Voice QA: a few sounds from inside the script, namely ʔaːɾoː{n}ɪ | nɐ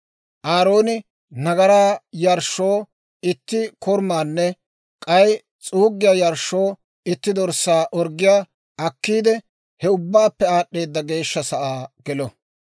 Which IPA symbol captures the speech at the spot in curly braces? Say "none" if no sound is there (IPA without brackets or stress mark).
n